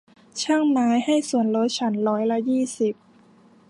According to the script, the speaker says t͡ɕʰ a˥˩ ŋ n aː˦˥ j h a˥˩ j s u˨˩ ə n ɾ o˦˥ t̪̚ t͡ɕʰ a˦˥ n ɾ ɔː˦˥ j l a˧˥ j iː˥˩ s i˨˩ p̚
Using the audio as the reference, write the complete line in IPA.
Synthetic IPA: t͡ɕʰ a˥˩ ŋ m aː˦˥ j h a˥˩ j s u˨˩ ə n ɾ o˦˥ t̪̚ t͡ɕʰ a˦˥ n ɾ ɔː˦˥ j l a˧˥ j iː˥˩ s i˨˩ p̚